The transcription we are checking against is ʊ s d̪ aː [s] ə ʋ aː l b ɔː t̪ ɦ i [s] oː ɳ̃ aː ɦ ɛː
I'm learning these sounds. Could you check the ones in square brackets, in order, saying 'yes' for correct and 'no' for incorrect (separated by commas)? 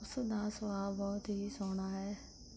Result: yes, yes